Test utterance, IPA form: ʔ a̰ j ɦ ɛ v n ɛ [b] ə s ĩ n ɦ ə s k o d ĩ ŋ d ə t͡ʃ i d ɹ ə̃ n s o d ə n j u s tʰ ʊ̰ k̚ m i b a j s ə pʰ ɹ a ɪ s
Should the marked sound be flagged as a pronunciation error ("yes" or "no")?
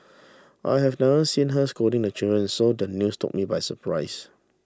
yes